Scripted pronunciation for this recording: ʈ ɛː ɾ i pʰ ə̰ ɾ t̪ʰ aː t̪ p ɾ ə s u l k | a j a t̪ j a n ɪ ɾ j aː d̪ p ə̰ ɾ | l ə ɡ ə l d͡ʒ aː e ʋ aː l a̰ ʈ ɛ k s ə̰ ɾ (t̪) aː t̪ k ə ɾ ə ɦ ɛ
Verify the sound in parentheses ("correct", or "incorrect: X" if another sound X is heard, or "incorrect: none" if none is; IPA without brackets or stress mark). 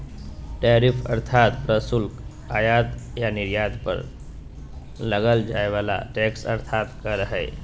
incorrect: t̪ʰ